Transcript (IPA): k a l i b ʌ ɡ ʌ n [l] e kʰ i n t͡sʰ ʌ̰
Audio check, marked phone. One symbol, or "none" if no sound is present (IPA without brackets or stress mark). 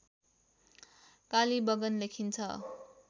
l